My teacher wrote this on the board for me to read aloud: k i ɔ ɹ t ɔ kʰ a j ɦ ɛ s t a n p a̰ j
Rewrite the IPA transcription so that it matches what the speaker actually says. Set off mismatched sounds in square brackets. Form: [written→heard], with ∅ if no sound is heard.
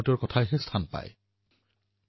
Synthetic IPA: [k→t] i ɔ ɹ [t→k] ɔ [kʰ→tʰ] a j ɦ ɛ s [t→tʰ] a n p a̰ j